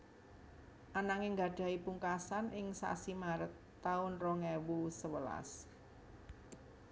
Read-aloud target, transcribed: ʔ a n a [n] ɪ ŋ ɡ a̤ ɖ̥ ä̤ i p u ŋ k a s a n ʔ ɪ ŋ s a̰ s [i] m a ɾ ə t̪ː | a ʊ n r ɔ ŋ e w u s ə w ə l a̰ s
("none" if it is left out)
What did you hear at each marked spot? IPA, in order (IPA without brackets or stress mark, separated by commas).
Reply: ŋ, i